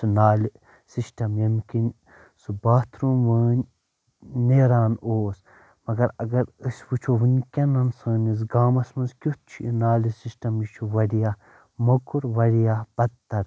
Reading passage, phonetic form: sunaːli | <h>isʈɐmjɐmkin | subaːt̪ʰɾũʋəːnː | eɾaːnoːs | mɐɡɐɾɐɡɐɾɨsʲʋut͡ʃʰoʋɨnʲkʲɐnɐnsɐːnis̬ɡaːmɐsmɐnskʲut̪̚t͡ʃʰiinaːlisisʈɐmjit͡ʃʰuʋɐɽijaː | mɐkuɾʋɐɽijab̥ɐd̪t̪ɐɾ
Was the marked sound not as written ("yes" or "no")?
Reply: yes